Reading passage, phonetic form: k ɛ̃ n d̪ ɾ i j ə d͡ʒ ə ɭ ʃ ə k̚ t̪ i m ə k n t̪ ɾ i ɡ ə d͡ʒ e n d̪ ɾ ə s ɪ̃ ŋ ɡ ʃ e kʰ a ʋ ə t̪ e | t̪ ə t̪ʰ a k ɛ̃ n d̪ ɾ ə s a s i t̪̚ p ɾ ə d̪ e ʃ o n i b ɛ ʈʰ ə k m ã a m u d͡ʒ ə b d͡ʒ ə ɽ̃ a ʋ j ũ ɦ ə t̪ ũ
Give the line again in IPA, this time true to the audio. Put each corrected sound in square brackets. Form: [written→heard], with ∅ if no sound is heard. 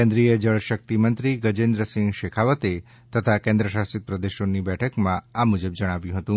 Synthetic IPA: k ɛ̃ n d̪ ɾ i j ə d͡ʒ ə ɭ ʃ ə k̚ t̪ i m ə [k→∅] n t̪ ɾ i ɡ ə d͡ʒ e n d̪ ɾ ə s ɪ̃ ŋ ɡ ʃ e kʰ a ʋ ə t̪ e | t̪ ə t̪ʰ a k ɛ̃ n d̪ ɾ ə [s→ʃ] a s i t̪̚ p ɾ ə d̪ e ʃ o n i b ɛ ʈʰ ə k m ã a m u d͡ʒ ə b d͡ʒ ə ɽ̃ a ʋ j ũ ɦ ə t̪ ũ